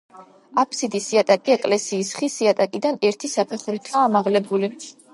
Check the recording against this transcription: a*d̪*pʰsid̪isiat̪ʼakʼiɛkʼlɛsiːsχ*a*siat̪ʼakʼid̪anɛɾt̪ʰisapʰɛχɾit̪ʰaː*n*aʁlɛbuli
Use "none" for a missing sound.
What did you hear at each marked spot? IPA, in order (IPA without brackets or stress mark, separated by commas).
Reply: none, i, m